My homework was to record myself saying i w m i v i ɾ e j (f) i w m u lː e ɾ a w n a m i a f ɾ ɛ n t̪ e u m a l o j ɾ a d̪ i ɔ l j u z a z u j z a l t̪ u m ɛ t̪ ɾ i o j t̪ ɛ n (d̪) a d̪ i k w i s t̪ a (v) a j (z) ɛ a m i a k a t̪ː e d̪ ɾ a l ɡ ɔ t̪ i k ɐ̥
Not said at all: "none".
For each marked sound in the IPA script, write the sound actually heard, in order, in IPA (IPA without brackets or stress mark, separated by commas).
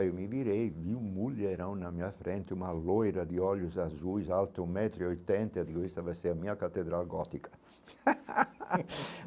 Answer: v, t̪, v, s